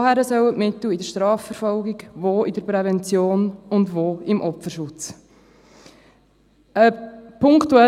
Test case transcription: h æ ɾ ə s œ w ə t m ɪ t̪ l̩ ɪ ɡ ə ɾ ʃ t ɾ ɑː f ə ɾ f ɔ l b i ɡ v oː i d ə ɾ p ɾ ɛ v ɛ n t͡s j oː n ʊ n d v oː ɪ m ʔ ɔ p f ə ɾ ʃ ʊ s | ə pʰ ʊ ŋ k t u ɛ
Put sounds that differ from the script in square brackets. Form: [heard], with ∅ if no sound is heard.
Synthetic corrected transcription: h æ ɾ ə s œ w ə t m ɪ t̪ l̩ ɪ [d] ə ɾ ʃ t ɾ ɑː f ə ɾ f ɔ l [ɡ] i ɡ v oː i d ə ɾ p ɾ ɛ v ɛ n t͡s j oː n ʊ n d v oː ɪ m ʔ ɔ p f ə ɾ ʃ ʊ [t͡s] | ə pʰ ʊ ŋ k t u ɛ

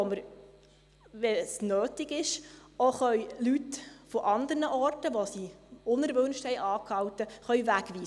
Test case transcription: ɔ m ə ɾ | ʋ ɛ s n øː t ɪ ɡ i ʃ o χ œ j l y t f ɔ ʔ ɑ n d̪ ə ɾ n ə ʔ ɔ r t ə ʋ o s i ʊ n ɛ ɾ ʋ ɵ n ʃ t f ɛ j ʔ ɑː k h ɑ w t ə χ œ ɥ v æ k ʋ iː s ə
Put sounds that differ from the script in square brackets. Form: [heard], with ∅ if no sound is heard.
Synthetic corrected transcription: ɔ m ə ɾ | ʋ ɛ s n øː t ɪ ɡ [ɪ] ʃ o χ œ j l y t f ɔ ʔ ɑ n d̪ ə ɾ n ə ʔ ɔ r t ə ʋ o s i ʊ n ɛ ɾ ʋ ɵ n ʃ t [h] ɛ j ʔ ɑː k h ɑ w t ə χ œ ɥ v æ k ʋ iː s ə

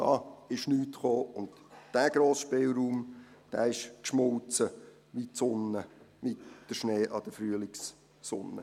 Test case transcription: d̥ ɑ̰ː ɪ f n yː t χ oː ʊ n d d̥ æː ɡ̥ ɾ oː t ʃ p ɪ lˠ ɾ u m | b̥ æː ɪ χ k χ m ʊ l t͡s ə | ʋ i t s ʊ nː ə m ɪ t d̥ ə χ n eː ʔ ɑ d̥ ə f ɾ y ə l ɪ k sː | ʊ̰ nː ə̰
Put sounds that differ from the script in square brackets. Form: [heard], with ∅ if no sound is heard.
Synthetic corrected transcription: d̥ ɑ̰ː ɪ [ʃ] n yː t χ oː ʊ n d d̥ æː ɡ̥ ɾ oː [s] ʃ p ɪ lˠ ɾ [uː] m | [d̥] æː ɪ [ʃ] k [ʃ] m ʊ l t͡s ə | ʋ i t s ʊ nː ə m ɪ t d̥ ə [ʃ] n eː ʔ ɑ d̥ ə f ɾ y ə l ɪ k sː | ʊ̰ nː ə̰

